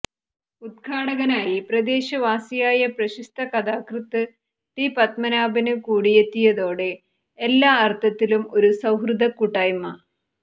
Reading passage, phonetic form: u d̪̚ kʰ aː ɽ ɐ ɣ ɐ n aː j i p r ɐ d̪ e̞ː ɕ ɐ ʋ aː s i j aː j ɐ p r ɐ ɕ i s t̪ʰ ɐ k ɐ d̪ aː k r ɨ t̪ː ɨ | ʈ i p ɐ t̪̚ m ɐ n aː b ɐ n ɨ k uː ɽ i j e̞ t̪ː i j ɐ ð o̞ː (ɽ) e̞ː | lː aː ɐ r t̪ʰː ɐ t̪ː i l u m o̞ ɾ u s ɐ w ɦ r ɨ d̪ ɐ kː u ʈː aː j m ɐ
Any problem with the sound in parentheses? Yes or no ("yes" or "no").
no